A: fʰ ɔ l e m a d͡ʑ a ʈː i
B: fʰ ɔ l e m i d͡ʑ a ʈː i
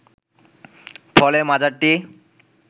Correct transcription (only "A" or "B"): A